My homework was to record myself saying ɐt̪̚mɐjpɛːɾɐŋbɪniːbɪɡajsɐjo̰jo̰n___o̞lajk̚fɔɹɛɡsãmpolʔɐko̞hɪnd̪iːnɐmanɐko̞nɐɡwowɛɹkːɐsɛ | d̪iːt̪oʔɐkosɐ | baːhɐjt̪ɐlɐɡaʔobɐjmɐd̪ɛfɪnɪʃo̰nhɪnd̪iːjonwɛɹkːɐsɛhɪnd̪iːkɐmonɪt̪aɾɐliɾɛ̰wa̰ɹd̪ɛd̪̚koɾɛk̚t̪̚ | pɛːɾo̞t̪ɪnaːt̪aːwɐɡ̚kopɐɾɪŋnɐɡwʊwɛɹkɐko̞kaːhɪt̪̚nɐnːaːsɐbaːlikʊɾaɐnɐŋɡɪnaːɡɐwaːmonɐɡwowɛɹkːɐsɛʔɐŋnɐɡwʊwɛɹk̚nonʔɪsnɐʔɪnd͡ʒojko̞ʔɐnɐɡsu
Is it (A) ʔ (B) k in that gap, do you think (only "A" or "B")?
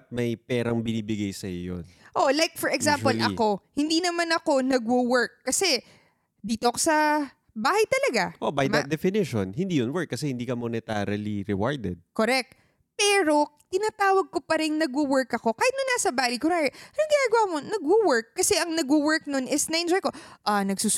A